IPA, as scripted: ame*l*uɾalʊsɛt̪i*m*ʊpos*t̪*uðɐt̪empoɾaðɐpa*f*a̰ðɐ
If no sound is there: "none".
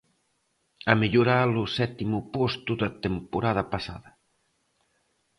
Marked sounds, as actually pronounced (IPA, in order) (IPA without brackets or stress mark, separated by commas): ʎ, m, t̪, s